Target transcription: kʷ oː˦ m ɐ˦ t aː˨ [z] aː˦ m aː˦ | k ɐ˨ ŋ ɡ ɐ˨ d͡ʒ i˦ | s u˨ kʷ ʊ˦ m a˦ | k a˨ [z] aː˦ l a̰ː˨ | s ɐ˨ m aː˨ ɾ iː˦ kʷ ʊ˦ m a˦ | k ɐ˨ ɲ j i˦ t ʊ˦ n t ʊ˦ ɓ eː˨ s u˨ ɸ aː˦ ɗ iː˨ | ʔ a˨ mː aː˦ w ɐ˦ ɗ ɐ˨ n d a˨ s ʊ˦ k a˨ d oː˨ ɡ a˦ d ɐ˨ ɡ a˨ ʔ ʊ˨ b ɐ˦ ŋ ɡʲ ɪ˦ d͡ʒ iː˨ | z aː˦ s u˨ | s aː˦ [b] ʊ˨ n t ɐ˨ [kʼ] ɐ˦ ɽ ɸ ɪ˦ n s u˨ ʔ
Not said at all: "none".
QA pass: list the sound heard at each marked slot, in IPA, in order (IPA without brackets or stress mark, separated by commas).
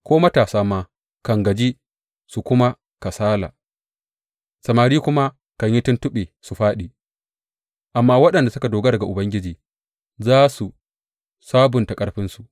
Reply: s, s, b, kʼ